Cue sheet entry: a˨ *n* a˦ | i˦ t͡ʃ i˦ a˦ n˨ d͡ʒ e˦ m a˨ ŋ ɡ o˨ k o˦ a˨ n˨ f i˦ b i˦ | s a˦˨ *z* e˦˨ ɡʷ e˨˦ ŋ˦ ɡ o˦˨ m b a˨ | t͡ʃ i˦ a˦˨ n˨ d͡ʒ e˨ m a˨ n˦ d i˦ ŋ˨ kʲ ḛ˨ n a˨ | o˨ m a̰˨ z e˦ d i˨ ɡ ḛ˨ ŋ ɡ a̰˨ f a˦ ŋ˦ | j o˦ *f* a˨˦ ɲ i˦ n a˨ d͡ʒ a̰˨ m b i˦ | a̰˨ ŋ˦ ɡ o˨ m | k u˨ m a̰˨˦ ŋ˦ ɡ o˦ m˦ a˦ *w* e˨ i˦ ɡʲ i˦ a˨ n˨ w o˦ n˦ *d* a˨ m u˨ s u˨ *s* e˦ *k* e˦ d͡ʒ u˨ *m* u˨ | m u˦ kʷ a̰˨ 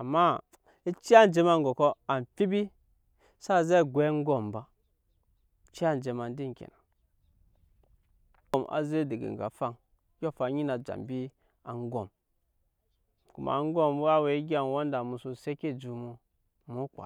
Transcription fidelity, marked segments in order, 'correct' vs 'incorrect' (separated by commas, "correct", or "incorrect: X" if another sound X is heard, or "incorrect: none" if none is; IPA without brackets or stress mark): incorrect: m, correct, correct, correct, correct, correct, correct, correct